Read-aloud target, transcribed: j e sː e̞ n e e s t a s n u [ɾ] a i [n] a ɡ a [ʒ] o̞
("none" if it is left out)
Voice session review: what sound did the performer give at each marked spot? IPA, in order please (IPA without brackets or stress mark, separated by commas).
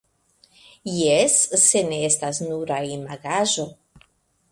ɾ, m, ʒ